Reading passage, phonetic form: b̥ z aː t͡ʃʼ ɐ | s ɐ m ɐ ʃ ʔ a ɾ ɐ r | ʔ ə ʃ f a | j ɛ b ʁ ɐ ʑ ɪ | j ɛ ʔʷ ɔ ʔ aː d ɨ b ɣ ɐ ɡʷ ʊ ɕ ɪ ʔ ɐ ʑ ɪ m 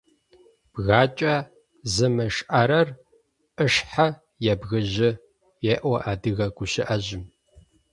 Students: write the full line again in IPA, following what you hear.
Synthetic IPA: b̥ ɣ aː t͡ʃʼ ɐ | z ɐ m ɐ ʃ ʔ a ɾ ɐ r | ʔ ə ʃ ħ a | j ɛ b ɣ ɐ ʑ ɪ | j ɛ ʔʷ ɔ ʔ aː d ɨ ɣ ɐ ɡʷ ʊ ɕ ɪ ʔ ɐ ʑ ɪ m